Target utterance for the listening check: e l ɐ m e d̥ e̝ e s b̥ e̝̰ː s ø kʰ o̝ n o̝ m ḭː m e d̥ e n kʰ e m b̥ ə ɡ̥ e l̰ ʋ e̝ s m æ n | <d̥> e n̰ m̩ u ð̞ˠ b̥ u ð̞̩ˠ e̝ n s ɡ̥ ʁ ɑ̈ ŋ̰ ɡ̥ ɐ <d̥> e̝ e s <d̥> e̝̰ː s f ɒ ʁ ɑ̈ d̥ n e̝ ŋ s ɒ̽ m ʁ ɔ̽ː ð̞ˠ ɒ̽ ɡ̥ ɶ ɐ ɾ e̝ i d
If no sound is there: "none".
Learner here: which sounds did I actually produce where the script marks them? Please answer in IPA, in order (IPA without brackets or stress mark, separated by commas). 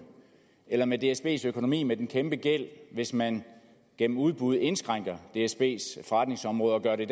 ɡ̥, d̥, b̥